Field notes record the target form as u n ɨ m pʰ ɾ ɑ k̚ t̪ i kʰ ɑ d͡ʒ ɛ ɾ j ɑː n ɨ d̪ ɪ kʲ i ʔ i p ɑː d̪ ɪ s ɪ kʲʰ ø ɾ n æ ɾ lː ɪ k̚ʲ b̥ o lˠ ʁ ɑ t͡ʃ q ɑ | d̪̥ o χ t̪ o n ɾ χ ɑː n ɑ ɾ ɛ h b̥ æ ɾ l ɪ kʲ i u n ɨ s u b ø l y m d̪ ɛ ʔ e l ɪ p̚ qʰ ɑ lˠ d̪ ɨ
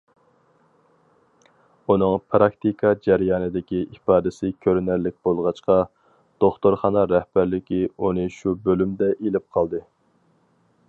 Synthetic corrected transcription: u n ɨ ŋ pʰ ɾ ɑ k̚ t̪ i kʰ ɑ d͡ʒ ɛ ɾ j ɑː n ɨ d̪ ɪ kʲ i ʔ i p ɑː d̪ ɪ s ɪ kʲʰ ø ɾ n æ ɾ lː ɪ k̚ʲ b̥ o lˠ ʁ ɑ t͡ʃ q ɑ | d̪̥ o χ t̪ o ɾ χ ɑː n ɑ ɾ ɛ h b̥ æ ɾ l ɪ kʲ i u n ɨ ʃ u b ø l y m d̪ ɛ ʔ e l ɪ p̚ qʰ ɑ lˠ d̪ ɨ